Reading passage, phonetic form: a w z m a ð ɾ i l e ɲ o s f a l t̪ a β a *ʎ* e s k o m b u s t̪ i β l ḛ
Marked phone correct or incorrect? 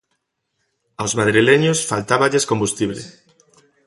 correct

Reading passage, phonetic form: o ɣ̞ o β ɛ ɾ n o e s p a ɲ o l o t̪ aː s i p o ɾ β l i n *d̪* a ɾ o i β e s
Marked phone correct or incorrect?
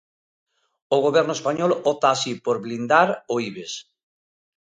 correct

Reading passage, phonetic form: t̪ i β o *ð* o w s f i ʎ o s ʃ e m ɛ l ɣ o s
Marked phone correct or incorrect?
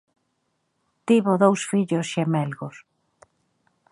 correct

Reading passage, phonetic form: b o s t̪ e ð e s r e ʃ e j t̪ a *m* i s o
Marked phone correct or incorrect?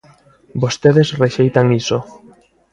incorrect: ŋ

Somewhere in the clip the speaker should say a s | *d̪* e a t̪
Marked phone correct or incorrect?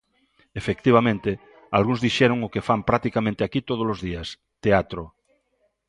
incorrect: t̪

